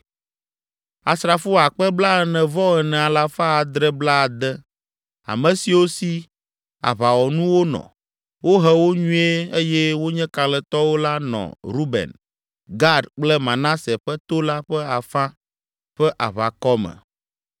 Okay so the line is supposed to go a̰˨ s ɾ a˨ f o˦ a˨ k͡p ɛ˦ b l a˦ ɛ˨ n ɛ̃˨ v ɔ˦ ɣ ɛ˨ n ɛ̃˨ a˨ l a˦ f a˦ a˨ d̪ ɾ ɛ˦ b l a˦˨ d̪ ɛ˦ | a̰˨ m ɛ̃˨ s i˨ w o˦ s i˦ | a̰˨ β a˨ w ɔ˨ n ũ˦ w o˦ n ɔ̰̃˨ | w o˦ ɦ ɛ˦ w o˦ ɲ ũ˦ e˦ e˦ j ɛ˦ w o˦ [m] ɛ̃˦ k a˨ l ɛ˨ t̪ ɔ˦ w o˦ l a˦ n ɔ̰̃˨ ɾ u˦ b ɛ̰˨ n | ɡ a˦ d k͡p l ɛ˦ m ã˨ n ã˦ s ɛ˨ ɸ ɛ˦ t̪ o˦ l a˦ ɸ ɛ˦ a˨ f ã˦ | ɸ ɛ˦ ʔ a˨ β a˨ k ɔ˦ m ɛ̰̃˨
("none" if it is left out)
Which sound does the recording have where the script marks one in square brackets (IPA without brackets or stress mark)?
ɲ